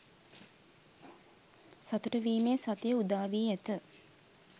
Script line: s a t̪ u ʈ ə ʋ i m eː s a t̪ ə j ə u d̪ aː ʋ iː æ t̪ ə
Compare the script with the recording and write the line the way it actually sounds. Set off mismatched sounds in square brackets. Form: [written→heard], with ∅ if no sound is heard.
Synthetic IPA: s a t̪ u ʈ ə ʋ [i→iː] m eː s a t̪ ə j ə u d̪ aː ʋ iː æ t̪ ə